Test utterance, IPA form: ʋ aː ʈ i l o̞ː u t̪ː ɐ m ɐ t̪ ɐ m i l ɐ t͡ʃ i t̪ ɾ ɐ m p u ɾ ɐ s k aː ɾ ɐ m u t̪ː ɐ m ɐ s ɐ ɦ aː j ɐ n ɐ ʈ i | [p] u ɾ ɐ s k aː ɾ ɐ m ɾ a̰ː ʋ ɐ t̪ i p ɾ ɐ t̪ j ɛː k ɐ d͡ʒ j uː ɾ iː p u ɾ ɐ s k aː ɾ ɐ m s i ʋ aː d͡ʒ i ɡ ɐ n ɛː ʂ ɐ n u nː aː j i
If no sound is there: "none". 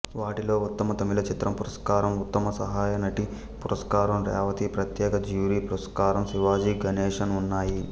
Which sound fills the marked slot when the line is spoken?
p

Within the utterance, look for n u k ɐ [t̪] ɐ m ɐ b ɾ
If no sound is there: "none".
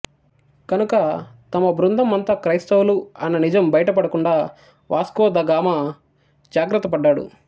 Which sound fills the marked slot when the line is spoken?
t̪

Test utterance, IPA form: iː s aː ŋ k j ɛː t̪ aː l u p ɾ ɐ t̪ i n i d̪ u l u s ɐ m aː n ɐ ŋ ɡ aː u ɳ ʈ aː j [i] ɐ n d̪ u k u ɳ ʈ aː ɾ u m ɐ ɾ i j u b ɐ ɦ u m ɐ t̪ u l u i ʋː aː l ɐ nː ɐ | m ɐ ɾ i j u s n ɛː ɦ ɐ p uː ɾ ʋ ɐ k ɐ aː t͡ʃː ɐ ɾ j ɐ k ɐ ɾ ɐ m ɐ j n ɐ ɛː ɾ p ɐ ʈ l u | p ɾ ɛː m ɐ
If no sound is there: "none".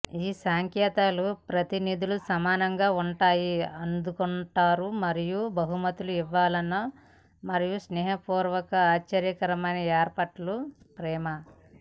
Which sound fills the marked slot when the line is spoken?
i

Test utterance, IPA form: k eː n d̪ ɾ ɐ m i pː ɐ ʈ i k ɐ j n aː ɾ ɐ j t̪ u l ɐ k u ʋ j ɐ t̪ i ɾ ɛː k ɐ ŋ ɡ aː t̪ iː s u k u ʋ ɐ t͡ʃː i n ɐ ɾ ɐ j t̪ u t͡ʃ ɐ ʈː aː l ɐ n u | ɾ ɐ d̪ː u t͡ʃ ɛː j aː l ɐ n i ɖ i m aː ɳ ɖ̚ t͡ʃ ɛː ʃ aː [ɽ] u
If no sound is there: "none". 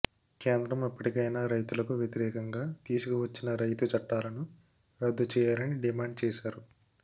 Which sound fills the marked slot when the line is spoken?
ɾ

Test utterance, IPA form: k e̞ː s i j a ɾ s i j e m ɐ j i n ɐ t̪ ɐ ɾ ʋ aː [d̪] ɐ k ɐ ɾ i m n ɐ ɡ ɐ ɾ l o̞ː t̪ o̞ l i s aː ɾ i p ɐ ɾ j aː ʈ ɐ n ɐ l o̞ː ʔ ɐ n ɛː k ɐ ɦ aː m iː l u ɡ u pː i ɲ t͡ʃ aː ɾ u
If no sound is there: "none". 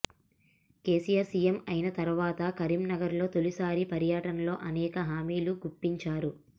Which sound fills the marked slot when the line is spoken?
t̪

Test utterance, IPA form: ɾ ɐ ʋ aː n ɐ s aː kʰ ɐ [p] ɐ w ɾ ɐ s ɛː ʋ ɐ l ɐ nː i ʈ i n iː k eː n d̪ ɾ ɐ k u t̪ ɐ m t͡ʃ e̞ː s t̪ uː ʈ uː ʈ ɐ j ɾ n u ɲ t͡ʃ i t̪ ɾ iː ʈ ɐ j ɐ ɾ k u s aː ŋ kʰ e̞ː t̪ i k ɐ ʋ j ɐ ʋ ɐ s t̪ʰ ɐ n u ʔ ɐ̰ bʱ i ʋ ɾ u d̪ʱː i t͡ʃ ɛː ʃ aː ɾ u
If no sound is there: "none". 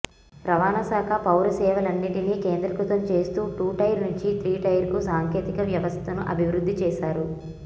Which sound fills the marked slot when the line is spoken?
p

